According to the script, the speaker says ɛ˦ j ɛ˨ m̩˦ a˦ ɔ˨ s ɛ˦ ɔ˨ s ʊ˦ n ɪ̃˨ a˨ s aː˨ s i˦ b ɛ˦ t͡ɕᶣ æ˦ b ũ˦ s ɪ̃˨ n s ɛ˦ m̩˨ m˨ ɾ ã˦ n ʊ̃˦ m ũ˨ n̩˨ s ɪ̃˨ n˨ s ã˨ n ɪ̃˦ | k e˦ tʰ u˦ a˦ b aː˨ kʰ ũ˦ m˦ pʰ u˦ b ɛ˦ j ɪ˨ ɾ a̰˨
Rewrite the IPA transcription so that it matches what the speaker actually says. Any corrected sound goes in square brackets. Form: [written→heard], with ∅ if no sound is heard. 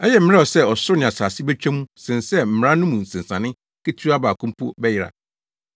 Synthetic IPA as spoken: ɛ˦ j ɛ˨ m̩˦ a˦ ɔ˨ s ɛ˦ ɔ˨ s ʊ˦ n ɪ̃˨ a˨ s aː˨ s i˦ b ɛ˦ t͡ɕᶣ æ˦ [b→m] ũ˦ s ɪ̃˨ n s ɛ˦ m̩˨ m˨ ɾ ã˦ n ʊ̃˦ m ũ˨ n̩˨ s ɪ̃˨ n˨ s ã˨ n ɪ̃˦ | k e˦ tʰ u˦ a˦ b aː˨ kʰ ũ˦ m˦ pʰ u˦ b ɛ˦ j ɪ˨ ɾ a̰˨

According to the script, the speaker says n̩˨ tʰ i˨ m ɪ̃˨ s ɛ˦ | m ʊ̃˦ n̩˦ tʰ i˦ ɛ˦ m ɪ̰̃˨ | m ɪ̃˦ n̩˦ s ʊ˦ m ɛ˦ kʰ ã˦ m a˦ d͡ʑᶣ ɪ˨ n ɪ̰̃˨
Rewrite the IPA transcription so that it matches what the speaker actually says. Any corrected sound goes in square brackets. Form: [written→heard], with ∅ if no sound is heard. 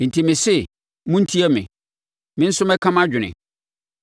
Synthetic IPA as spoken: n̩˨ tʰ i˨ m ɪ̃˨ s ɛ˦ | m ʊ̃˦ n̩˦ tʰ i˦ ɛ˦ m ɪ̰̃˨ | m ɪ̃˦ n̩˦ s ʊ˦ m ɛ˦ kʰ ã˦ m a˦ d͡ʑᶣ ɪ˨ n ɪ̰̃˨

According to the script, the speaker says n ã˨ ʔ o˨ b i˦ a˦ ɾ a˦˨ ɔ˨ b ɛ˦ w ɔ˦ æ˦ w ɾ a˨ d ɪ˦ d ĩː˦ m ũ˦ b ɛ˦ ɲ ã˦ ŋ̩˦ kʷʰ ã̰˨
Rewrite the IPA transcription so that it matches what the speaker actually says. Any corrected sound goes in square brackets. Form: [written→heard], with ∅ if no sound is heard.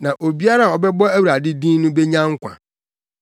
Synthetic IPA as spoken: n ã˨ ʔ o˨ b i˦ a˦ ɾ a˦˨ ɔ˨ b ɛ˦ [w→b] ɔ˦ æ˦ w ɾ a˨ d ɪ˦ d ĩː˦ [m→n] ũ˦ b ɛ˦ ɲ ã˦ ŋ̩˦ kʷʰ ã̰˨

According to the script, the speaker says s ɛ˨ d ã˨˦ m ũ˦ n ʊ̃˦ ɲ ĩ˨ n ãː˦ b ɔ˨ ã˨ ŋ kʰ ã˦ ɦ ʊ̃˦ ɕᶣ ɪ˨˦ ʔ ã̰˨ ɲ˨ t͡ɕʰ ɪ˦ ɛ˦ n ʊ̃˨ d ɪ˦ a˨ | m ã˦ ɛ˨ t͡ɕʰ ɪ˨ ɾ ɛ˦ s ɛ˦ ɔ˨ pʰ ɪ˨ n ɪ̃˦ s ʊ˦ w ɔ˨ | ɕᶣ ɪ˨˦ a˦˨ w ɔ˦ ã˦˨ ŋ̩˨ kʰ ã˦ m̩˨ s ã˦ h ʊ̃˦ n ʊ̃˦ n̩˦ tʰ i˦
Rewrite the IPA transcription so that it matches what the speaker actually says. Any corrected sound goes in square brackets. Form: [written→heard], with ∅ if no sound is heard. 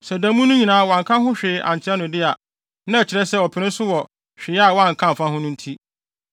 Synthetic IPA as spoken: s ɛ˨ d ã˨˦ m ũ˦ n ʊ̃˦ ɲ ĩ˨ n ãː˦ [b→w] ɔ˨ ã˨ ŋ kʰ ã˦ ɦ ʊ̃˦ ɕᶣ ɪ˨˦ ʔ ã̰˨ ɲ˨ t͡ɕʰ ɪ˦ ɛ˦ n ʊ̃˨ d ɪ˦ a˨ | [m→n] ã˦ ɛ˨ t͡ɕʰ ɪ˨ ɾ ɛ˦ s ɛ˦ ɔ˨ pʰ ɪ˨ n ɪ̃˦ s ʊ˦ w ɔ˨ | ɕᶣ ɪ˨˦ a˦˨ w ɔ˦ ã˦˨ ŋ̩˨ kʰ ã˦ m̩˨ [s→f] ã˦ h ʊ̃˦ n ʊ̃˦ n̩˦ tʰ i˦

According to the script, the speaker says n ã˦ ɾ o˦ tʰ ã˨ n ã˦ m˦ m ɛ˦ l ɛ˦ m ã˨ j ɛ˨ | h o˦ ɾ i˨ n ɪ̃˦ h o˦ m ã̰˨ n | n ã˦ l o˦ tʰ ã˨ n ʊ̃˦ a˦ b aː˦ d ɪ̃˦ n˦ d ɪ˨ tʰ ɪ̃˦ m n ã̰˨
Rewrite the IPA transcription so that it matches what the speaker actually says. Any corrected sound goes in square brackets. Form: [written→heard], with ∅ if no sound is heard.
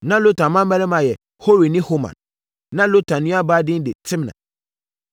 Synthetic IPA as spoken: n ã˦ [ɾ→l] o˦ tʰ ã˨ [n→m] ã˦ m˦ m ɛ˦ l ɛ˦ m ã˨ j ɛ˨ | h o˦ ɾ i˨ n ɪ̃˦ h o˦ m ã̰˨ n | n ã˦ l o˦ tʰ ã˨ n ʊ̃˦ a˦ b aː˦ d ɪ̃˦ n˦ d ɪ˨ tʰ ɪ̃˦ m n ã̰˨

